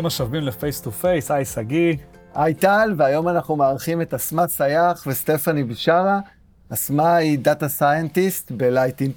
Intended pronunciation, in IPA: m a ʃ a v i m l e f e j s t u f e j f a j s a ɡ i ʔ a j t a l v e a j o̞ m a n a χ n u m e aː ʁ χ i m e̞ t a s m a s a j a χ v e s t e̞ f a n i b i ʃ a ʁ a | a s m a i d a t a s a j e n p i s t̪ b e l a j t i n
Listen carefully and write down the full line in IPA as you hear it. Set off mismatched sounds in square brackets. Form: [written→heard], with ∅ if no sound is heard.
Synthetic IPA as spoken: m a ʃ a v i m l e f e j s t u f e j [f→s] a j s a ɡ i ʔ a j t a l v e a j o̞ m a n a χ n u m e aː ʁ χ i m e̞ t a s m a s a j a χ v e s t e̞ f a n i b i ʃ a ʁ a | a s m a i d a t a s a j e n [p→t] i s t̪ b e l a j t i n